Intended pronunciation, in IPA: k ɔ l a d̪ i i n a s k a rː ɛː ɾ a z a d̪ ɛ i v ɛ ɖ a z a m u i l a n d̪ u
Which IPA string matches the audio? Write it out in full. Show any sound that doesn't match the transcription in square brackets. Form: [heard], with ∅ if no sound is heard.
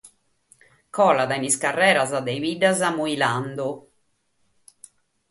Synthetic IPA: k ɔ l a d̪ [a] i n [i] s k a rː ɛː ɾ a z a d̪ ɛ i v [i] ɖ a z a m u i l a n d̪ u